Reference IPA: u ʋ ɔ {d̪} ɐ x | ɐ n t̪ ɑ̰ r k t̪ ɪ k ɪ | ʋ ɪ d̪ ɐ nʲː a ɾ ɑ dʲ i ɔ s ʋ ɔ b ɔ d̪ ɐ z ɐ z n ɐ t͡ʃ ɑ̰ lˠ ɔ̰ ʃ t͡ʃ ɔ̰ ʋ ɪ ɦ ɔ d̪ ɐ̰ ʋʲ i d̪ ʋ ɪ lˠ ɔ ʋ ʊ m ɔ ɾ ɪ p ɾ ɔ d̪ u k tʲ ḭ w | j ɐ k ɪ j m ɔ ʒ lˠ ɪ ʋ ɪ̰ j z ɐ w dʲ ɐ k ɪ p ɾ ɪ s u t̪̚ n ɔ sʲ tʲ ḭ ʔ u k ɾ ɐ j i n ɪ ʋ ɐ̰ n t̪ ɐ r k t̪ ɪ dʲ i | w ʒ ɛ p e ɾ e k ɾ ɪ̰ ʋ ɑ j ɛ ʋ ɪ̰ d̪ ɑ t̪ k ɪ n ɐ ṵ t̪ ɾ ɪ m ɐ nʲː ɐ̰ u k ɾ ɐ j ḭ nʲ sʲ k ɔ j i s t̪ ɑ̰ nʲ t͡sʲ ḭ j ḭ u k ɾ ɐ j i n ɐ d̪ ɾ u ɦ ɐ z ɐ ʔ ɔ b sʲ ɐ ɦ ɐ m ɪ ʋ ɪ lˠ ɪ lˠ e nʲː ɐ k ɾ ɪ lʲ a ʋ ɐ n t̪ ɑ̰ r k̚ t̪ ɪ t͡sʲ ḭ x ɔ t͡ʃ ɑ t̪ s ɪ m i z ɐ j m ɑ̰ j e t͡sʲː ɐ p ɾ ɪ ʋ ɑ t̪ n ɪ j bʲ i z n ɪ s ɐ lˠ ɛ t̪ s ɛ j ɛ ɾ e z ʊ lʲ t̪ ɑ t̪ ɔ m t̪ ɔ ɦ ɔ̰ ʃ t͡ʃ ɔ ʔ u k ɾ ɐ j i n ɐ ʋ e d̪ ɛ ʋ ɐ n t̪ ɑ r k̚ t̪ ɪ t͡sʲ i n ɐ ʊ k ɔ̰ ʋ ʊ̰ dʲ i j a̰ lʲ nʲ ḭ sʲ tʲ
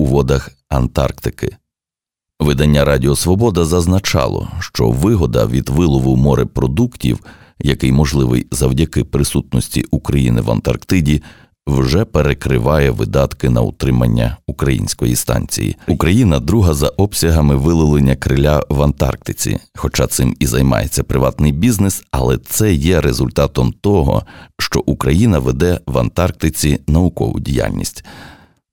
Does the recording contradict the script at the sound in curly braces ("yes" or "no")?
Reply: no